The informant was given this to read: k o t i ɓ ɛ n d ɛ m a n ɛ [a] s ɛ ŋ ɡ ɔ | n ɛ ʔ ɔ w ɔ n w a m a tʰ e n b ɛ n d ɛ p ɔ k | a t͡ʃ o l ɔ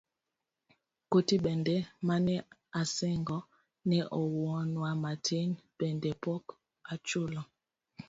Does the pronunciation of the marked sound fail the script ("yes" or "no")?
no